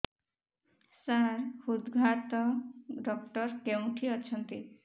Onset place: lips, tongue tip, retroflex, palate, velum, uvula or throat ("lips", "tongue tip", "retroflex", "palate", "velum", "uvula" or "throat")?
tongue tip